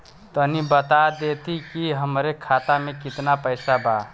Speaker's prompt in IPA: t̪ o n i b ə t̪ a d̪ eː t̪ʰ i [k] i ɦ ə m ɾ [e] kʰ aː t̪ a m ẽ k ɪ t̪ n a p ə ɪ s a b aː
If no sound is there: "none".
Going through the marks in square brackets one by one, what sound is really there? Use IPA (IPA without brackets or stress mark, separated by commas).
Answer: k, e